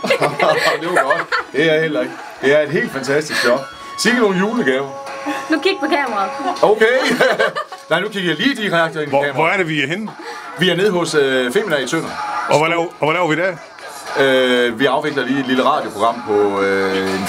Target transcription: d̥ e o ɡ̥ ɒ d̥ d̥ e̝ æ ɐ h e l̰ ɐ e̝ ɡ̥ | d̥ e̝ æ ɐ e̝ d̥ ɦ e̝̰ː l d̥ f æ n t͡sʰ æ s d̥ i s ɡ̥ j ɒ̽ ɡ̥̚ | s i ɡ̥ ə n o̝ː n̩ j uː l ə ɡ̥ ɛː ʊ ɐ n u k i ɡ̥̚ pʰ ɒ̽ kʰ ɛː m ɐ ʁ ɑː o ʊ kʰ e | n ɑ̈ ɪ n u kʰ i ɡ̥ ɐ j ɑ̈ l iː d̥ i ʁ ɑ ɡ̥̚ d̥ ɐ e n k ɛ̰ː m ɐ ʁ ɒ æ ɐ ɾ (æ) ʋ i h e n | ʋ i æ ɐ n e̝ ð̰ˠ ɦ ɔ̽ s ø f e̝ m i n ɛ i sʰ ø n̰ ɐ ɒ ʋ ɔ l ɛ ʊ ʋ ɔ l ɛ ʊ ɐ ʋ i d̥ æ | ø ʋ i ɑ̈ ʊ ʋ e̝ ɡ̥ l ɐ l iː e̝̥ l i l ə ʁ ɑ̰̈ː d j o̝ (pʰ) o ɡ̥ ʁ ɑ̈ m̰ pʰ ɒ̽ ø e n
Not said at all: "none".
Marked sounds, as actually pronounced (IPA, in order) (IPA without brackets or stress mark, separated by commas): e, pʰ